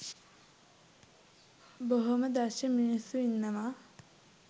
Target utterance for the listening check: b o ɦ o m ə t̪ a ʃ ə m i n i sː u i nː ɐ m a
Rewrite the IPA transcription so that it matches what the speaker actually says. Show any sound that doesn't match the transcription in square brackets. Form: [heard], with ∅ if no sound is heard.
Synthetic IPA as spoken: b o ɦ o m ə [d̪] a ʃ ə m i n i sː u i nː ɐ m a